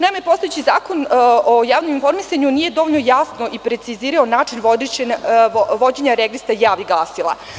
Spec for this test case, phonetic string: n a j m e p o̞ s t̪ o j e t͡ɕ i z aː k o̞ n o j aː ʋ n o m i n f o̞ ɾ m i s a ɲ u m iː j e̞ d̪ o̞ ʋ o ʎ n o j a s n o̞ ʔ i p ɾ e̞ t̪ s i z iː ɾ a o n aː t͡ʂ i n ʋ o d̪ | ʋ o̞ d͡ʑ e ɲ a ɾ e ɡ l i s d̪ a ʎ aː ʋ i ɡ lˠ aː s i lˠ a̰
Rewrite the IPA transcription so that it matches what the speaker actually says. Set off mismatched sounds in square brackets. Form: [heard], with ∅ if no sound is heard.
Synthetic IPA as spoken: n a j m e p o̞ s t̪ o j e t͡ɕ i z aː k o̞ n o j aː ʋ n o m i n f o̞ ɾ m i s a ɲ u [n] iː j e̞ d̪ o̞ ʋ o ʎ n o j a s n o̞ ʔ i p ɾ e̞ t̪ s i z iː ɾ a o n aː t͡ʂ i n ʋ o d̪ | ʋ o̞ d͡ʑ e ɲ a ɾ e ɡ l i s [t̪] a [j] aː ʋ i ɡ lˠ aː s i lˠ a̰